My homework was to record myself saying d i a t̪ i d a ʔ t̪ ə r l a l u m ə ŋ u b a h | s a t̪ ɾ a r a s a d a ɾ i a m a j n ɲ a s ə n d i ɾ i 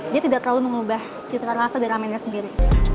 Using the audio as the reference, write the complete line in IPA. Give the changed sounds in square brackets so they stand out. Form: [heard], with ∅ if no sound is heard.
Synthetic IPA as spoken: d i a t̪ i d a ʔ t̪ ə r l a l u m ə ŋ u b a h | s [i] t̪ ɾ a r a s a d a ɾ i a m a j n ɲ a s ə n d i ɾ i